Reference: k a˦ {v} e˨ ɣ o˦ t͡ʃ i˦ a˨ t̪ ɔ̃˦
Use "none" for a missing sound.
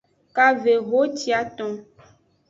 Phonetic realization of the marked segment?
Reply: v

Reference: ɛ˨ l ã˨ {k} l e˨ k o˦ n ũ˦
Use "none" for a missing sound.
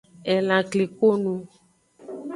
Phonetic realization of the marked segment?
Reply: k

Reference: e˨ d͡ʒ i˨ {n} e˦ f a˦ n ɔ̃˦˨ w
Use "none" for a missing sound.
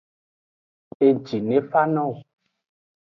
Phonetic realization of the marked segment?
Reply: n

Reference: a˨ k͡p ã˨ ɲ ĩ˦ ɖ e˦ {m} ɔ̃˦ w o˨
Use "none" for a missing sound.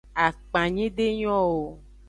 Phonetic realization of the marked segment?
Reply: ɲ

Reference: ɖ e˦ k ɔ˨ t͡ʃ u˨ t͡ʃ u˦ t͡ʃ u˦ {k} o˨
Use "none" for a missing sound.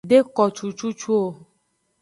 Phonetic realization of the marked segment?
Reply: none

